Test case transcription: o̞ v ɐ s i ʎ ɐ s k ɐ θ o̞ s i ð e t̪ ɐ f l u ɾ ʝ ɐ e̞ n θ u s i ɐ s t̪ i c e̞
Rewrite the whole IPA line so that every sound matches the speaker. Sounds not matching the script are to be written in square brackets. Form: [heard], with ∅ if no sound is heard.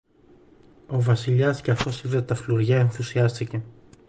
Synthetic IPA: o̞ v ɐ s i ʎ ɐ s [c] ɐ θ o̞ s i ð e t̪ ɐ f l u ɾ ʝ ɐ e̞ n θ u s i ɐ s t̪ i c e̞